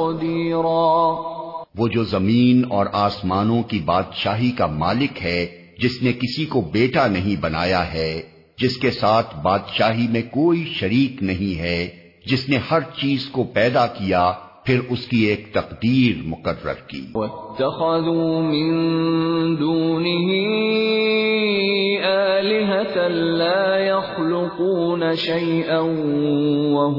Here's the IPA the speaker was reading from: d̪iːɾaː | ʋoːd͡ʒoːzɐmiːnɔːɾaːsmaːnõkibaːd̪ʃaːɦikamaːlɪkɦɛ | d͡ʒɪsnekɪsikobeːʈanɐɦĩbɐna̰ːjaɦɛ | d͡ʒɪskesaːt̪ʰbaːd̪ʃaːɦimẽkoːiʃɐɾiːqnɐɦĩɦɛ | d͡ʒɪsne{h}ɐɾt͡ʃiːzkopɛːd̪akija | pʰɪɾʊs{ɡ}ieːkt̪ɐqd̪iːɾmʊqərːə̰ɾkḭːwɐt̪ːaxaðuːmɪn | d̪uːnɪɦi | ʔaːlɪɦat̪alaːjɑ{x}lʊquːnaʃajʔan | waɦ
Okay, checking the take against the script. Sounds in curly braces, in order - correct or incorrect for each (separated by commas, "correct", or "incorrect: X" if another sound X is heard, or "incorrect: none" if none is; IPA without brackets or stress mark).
correct, incorrect: k, correct